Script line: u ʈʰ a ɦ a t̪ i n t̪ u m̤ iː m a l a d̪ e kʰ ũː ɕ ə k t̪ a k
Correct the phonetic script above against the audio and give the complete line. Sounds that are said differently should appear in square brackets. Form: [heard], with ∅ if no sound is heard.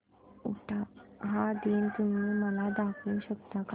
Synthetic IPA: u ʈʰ a ɦ a [d̪] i n t̪ u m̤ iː m [ə] l a d̪ [a] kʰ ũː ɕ ə k t̪ a k